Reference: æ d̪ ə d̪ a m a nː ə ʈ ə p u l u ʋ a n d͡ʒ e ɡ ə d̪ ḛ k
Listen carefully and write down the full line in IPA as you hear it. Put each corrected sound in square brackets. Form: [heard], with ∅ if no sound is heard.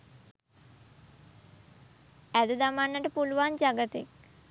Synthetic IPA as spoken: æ d̪ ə d̪ a m a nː ə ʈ ə p u l u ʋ a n d͡ʒ [a] ɡ ə [t̪] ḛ k